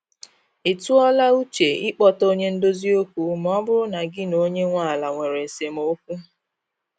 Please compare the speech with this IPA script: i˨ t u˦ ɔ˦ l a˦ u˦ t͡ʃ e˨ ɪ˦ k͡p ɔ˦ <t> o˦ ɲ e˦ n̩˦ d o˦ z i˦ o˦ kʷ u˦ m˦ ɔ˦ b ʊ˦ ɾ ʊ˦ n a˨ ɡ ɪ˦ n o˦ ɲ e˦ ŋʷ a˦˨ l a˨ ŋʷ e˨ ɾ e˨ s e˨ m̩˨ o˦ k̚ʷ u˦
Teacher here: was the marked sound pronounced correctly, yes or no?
yes